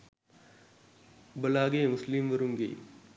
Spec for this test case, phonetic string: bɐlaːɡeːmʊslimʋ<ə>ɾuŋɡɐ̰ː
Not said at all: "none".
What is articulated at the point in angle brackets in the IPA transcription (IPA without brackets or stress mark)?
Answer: ɐ